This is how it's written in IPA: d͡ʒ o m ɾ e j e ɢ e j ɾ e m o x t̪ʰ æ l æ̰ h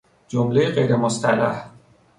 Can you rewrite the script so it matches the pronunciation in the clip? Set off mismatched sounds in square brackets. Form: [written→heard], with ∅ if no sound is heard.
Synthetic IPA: d͡ʒ o m [ɾ→l] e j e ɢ e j ɾ e m o [x→s] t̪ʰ æ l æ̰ h